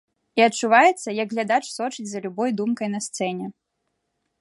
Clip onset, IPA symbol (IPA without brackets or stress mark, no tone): i